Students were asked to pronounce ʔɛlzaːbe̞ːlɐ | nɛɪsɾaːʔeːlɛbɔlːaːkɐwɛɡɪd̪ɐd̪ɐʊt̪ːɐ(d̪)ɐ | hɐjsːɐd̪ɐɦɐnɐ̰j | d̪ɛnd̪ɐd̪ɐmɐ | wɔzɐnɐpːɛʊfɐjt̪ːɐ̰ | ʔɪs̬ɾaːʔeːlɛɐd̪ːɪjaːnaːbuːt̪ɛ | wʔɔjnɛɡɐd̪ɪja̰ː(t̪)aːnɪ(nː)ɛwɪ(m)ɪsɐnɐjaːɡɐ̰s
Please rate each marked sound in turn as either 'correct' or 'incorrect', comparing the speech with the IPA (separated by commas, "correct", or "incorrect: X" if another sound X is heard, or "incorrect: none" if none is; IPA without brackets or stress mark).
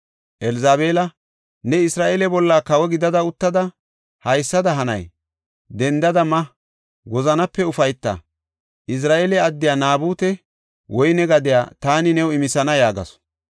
correct, correct, incorrect: n, correct